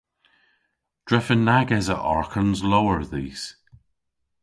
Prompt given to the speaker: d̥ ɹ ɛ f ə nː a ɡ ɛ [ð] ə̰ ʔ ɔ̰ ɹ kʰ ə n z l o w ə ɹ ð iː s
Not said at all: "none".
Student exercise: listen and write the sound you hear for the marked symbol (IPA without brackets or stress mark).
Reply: z